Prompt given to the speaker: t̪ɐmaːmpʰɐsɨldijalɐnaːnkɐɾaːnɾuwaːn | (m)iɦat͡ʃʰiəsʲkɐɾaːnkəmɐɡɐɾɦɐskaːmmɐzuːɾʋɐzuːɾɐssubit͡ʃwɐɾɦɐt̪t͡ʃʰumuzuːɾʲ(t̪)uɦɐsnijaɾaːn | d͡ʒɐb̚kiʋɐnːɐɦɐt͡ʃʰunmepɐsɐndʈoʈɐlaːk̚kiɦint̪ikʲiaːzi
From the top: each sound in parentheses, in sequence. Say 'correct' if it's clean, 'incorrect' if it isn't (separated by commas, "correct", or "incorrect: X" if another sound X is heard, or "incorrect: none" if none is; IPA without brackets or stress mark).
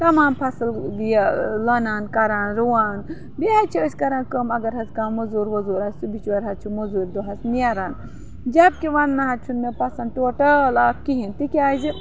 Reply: incorrect: b, incorrect: d̪